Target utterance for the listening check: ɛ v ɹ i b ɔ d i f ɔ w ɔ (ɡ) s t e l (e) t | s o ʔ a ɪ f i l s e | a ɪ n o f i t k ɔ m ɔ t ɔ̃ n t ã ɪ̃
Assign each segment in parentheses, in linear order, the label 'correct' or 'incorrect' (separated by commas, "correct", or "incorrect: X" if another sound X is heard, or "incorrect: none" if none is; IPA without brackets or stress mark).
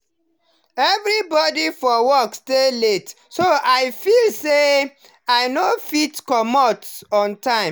incorrect: k, correct